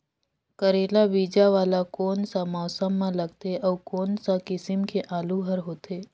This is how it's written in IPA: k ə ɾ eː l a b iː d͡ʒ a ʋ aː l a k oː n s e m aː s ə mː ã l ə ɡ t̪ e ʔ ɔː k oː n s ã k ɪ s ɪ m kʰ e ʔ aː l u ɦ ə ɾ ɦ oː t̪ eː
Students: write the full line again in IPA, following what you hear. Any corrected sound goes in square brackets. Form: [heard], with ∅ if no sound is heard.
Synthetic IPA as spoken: k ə ɾ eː l a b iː d͡ʒ a ʋ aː l a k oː n s [a] m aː s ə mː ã l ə ɡ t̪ e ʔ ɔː k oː n s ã k ɪ s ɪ m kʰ e ʔ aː l u ɦ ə ɾ ɦ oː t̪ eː